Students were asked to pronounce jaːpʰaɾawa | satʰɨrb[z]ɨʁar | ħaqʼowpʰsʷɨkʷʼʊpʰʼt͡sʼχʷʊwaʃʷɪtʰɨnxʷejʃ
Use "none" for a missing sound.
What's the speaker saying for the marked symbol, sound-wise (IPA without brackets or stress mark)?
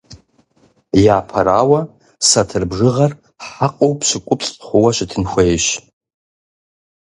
ʐ